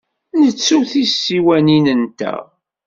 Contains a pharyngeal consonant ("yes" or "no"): no